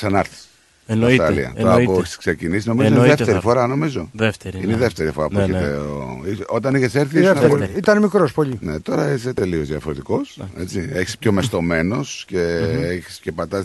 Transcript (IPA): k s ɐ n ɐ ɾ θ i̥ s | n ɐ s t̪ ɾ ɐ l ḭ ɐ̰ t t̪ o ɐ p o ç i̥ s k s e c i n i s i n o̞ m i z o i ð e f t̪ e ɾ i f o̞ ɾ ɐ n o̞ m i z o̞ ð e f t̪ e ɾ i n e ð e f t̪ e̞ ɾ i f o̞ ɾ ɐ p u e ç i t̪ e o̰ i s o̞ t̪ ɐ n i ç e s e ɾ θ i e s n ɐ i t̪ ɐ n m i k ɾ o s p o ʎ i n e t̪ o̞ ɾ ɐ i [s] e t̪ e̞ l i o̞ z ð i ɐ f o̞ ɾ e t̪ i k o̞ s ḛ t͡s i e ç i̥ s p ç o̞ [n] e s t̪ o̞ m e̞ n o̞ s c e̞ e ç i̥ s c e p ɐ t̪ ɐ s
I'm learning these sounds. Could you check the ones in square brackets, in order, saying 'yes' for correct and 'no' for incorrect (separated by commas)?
yes, no